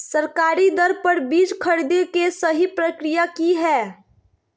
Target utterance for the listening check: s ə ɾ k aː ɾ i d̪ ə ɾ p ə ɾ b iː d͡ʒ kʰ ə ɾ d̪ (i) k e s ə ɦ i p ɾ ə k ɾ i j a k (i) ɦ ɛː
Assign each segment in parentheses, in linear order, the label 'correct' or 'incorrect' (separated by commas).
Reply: incorrect, correct